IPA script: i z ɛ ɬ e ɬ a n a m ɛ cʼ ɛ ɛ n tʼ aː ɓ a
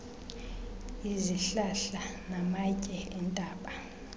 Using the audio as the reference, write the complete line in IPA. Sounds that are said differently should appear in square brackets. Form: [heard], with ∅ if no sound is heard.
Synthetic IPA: i z [i] ɬ [a] ɬ a n a m [a] cʼ ɛ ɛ n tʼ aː ɓ a